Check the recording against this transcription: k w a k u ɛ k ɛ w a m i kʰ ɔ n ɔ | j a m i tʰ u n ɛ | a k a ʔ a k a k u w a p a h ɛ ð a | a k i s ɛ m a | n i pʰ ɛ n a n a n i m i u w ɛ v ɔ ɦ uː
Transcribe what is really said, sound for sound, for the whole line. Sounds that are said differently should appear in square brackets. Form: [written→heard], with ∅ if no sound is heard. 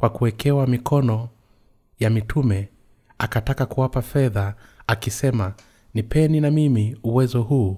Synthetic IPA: k w a k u ɛ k ɛ w a m i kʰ ɔ n ɔ | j a m i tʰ u [n→m] ɛ | a k a [ʔ→t] a k a k u w a p a [h→f] ɛ ð a | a k i s ɛ m a | n i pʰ ɛ n [a→i] n a [n→m] i m i u w ɛ [v→z] ɔ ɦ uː